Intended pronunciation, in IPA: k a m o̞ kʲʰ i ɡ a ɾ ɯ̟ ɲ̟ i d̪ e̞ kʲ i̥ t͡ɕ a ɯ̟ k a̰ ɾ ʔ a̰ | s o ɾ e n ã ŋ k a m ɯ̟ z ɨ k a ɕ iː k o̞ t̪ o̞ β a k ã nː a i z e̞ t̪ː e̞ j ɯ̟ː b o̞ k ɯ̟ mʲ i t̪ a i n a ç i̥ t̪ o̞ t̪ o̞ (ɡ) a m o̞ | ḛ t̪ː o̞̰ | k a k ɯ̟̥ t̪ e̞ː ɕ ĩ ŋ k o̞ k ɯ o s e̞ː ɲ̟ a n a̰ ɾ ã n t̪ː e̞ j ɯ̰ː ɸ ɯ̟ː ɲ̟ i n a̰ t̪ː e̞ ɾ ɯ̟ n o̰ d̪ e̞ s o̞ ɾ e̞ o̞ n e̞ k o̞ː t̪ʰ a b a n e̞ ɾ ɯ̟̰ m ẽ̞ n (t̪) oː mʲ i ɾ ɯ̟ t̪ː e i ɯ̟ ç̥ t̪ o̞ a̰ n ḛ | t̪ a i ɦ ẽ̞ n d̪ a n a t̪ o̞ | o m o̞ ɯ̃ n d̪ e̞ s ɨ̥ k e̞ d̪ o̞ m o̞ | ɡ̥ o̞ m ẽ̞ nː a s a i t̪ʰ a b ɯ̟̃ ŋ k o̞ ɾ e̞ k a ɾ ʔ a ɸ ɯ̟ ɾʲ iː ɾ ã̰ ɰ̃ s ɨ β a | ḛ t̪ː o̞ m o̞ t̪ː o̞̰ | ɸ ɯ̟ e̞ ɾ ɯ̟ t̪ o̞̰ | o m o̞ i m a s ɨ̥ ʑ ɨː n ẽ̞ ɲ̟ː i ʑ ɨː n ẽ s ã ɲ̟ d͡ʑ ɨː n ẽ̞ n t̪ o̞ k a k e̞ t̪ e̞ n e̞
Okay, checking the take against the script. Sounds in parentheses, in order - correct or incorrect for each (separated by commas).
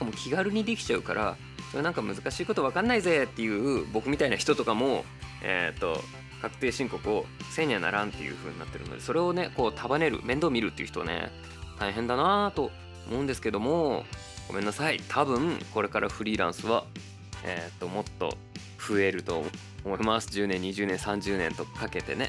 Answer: incorrect, incorrect